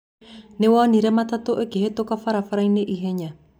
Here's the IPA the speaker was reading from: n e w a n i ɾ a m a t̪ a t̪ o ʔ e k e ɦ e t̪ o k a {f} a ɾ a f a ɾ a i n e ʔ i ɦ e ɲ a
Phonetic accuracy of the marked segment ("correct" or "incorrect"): correct